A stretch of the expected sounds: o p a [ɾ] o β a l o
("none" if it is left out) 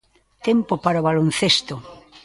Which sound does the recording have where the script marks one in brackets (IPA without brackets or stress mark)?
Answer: ɾ